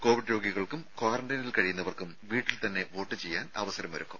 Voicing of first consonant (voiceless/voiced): voiceless